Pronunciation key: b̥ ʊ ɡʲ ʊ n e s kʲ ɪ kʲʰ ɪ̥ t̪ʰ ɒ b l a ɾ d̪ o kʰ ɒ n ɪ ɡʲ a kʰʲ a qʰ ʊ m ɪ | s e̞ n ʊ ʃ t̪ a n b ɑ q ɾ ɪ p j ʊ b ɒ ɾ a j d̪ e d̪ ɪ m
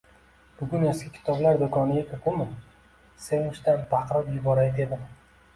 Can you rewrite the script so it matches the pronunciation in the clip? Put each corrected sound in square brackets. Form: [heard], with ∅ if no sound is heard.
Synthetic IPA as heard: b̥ ʊ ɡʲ ʊ n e s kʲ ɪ kʲʰ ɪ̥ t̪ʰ ɒ b l a ɾ d̪ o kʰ ɒ n ɪ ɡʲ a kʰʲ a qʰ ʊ m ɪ | s e̞ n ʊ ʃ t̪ a n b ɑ q ɾ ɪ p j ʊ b ɒ ɾ a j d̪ e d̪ ɪ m